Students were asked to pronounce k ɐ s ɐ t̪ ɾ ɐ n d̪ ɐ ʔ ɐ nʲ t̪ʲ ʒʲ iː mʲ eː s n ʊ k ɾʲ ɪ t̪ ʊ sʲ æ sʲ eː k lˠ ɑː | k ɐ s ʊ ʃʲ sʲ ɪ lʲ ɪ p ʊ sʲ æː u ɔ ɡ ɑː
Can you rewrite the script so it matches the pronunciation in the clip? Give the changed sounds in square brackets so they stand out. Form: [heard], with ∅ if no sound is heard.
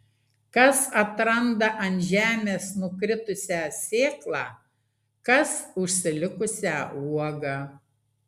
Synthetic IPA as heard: k ɐ s ɐ t̪ ɾ ɐ n d̪ ɐ ʔ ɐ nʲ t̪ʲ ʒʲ [æː] mʲ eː s n ʊ k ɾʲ ɪ t̪ ʊ sʲ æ sʲ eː k lˠ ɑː | k ɐ s ʊ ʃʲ sʲ ɪ lʲ ɪ [k] ʊ sʲ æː u ɔ ɡ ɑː